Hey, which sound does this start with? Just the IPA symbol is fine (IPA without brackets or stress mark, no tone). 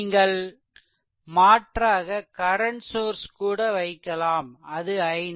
ŋ